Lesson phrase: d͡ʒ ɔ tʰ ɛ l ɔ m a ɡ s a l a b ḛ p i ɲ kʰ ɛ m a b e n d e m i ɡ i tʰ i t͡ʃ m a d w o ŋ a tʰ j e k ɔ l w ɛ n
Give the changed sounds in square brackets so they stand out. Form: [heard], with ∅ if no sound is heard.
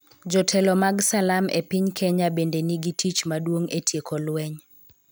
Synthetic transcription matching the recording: d͡ʒ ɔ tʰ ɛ l ɔ m a ɡ s a l a [m] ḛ p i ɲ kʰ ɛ [ɲ] a b e n d e [n] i ɡ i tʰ i t͡ʃ m a d w o ŋ [e] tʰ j e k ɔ l w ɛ [ɲ]